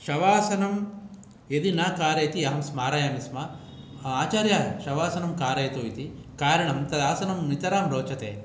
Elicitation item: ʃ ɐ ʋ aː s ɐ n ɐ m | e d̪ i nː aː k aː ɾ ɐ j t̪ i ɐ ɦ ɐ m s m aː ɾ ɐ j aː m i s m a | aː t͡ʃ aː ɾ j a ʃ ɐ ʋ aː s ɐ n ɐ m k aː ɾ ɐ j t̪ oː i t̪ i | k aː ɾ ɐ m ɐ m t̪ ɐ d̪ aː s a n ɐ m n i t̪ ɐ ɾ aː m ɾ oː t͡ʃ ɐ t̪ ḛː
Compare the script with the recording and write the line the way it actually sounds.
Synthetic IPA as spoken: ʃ ɐ ʋ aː s ɐ n ɐ m | e d̪ i n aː k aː ɾ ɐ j t̪ i ɐ ɦ ɐ m s m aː ɾ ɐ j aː m i s m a | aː t͡ʃ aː ɾ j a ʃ ɐ ʋ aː s ɐ n ɐ m k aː ɾ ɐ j t̪ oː i t̪ i | k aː ɾ ɐ ɳ ɐ m t̪ ɐ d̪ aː s ɐ n ɐ m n i t̪ ɐ ɾ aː m ɾ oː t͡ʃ ɐ t̪ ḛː